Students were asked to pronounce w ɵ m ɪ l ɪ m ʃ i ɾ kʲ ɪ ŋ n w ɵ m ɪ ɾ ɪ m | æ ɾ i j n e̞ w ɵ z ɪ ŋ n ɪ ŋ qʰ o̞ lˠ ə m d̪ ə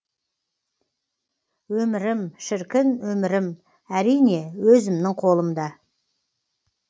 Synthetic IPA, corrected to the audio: w ɵ m ɪ ɾ ɪ m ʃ ɪ ɾ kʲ ɪ n w ɵ m ɪ ɾ ɪ m | æ ɾ i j n e̞ w ɵ z ɪ m n ɪ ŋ qʰ o̞ lˠ ə m d̪ ɑ